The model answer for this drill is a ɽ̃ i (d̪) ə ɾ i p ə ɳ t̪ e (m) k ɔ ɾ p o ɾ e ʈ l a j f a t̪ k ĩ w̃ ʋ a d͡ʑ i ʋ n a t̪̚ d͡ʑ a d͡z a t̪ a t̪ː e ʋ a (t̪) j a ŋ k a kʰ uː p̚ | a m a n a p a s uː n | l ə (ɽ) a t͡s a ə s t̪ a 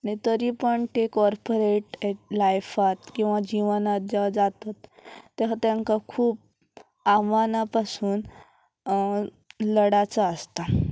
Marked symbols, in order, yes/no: no, no, yes, yes

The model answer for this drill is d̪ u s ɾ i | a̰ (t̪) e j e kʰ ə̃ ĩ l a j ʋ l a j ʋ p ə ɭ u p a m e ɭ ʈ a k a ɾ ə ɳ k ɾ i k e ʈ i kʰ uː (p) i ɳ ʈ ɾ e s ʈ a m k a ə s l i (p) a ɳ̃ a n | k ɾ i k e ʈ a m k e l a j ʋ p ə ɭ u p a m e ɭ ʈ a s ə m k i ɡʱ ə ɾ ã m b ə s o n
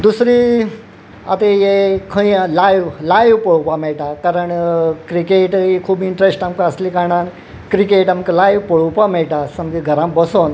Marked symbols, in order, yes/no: yes, no, no

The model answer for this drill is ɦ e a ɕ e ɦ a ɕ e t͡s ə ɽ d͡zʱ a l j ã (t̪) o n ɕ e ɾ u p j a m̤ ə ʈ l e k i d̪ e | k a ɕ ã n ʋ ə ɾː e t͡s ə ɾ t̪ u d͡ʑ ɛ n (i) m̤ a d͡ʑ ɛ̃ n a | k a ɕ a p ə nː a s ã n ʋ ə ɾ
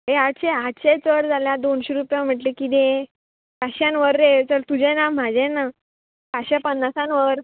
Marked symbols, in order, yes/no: no, no

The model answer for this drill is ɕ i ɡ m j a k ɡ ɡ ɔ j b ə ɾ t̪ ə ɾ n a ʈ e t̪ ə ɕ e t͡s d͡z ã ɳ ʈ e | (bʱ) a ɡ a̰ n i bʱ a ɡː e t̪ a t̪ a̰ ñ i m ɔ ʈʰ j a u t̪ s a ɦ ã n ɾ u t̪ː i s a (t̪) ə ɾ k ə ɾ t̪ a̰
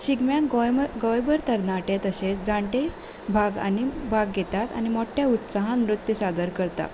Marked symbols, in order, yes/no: yes, no

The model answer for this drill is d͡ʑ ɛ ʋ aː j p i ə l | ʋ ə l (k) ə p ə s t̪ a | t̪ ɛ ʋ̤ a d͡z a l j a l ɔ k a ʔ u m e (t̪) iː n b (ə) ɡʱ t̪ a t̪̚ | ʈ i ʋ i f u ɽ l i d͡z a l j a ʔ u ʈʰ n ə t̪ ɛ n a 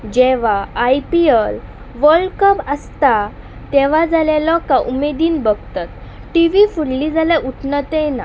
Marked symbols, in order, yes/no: yes, no, yes

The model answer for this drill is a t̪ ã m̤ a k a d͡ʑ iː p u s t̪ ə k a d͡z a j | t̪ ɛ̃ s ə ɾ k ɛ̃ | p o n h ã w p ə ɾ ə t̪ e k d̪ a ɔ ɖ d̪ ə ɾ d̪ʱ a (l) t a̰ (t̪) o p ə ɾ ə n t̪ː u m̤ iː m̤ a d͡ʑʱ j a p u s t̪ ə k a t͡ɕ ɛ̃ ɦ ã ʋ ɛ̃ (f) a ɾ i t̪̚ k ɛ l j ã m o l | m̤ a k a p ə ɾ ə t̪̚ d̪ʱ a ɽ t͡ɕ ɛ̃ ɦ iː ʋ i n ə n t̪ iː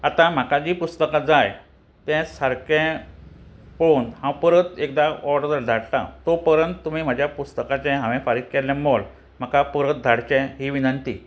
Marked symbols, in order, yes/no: no, yes, yes

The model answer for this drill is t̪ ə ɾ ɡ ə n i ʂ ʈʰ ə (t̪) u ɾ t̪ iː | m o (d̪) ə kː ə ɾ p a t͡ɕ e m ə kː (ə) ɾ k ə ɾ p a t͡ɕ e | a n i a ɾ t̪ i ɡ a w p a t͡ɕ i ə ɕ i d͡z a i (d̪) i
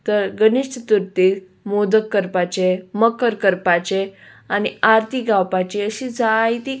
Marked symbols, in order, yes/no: yes, yes, yes, no

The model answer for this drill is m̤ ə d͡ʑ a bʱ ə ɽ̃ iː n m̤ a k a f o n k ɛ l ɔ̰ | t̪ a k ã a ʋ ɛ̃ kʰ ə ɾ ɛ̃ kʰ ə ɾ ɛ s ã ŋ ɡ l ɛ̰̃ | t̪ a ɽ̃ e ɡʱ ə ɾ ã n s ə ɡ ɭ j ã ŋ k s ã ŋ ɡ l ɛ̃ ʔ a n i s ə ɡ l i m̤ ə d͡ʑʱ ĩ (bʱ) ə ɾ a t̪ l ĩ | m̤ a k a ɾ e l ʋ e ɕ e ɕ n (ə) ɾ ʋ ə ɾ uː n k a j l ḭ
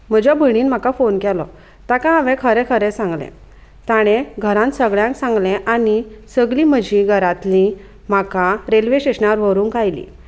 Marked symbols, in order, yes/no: no, no

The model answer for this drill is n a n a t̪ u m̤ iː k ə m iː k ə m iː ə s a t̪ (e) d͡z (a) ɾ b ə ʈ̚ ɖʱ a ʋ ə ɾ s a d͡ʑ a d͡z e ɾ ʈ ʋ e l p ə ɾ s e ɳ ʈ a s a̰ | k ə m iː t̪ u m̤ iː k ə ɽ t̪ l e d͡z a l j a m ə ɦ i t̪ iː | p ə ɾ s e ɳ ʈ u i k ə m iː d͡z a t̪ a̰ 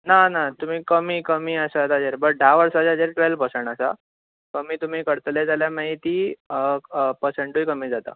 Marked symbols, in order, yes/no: no, no

